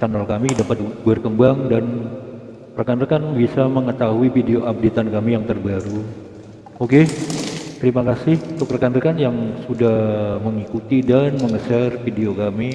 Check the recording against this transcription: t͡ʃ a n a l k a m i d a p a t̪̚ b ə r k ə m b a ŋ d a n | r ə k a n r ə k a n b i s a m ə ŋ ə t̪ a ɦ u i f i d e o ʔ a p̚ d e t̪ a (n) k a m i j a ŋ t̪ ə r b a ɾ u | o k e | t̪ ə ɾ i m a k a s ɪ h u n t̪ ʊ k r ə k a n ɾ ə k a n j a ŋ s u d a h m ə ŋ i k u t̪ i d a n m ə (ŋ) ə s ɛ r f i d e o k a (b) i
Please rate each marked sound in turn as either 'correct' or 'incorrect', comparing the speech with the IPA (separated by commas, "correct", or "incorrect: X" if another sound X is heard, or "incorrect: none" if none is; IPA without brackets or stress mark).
correct, correct, incorrect: m